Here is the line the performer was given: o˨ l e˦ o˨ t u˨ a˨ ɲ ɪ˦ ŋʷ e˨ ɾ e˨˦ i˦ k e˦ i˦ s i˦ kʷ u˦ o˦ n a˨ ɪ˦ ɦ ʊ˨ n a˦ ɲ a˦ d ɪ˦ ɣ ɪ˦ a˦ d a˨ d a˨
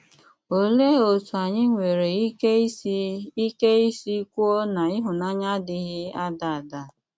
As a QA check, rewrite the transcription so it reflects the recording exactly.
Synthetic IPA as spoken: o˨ l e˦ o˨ t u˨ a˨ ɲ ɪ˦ ŋʷ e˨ ɾ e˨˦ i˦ k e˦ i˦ s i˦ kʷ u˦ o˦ n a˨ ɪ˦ ɦ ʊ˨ n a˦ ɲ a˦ d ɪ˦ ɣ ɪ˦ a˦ d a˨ d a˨